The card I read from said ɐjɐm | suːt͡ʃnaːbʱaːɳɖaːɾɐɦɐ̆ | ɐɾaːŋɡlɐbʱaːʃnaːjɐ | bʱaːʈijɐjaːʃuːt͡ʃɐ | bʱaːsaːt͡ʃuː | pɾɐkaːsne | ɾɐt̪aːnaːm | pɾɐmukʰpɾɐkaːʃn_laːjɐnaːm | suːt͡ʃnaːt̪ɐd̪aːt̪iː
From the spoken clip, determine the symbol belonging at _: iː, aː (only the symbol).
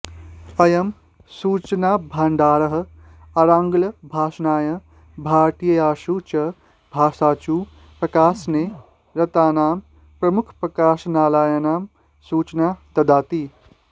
aː